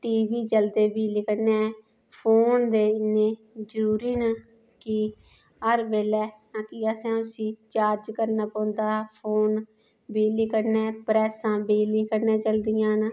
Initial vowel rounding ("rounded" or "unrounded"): unrounded